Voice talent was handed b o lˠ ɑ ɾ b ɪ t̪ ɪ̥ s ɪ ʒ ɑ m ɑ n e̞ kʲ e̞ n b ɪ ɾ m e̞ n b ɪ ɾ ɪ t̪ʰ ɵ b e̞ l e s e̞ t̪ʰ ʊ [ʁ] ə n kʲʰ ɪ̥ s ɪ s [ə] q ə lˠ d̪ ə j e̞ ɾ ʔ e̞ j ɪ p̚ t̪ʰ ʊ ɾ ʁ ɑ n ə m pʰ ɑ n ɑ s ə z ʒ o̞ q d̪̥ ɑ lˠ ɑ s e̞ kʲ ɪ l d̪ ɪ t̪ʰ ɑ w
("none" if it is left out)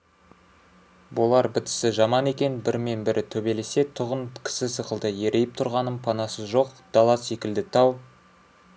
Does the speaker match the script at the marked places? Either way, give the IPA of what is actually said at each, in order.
ʁ, ə

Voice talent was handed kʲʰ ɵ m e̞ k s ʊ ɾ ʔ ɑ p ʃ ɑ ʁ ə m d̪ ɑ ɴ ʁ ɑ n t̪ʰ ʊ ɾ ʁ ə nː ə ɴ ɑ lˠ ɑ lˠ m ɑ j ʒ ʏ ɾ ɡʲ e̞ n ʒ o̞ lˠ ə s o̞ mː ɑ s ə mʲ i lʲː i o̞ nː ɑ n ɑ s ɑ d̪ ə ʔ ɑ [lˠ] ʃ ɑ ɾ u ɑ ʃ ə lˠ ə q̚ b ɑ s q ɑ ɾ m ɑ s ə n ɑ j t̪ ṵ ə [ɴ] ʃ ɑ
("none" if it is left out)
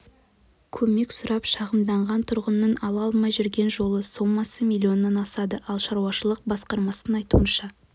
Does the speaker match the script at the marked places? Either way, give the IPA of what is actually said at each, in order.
lˠ, n

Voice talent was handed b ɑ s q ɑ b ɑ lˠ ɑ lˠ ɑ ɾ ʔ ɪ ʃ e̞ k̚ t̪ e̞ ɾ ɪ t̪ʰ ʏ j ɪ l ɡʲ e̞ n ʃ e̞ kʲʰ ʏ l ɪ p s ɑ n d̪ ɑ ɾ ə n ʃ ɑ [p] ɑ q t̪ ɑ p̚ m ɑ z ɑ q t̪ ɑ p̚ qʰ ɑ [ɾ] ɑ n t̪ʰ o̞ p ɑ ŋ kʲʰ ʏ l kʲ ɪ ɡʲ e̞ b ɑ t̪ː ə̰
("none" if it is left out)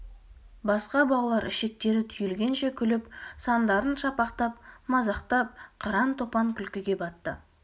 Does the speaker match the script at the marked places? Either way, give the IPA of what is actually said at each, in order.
p, ɾ

